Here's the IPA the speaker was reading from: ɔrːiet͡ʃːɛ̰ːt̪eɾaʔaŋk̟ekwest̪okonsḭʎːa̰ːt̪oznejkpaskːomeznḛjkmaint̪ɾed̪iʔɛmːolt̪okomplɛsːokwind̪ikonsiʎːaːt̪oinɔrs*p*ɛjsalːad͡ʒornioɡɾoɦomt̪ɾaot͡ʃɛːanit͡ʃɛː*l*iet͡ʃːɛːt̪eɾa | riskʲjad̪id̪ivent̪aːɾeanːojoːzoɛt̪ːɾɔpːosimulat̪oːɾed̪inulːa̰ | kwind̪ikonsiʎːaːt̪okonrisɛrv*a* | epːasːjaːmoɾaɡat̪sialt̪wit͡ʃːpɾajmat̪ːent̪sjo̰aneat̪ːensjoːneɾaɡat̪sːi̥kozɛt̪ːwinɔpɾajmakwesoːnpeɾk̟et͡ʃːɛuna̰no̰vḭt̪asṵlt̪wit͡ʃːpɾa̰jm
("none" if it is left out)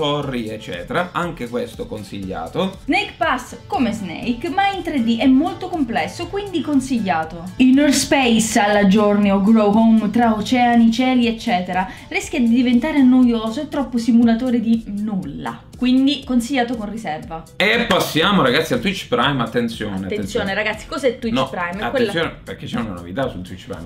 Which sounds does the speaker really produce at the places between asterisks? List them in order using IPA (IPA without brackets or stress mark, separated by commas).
p, l, a